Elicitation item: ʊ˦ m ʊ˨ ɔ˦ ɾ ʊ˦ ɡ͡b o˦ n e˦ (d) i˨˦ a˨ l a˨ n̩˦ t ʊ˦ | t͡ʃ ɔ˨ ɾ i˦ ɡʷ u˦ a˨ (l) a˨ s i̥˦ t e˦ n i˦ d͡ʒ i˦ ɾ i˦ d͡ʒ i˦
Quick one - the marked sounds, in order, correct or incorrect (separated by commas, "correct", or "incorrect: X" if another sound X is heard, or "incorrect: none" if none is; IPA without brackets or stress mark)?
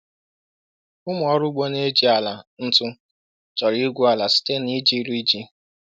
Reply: incorrect: d͡ʒ, correct